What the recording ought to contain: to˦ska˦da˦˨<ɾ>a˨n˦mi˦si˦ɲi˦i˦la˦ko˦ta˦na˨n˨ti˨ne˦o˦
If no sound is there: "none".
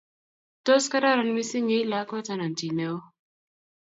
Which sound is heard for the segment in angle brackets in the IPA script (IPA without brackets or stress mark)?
ɾ